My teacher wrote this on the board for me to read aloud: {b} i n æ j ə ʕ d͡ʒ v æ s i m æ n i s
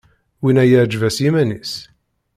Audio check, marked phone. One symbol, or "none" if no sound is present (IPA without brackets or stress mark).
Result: w